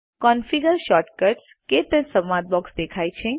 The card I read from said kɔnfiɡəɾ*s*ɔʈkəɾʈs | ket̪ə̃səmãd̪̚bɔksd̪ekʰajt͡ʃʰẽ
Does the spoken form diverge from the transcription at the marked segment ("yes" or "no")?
yes